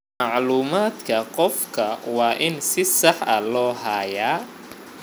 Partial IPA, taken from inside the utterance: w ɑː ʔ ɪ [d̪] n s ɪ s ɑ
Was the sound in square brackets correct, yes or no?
no